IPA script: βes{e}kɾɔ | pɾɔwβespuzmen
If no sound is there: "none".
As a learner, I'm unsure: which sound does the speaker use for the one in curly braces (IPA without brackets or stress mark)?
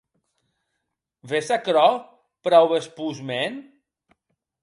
a